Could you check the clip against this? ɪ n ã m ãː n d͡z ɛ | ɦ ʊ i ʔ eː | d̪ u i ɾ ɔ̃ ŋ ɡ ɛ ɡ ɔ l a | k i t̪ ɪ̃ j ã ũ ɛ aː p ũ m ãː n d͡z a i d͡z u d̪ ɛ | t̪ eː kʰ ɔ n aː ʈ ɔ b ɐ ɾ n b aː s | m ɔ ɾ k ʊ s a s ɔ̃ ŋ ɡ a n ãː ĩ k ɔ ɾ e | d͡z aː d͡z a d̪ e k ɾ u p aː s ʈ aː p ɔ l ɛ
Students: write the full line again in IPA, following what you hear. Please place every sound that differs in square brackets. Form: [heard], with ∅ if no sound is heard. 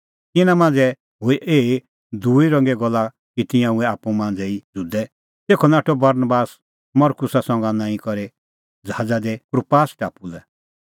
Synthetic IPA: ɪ n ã m ãː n d͡z ɛ | ɦ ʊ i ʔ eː | d̪ u i ɾ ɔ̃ ŋ ɡ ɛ ɡ ɔ l a | k i t̪ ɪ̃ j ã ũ ɛ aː p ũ m ãː n d͡z [ɛ] i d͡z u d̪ ɛ | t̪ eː kʰ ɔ n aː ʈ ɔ b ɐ ɾ n b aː s | m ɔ ɾ k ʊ s a s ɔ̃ ŋ ɡ a n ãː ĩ k ɔ ɾ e | d͡z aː d͡z a d̪ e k ɾ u p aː s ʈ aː p [u] l ɛ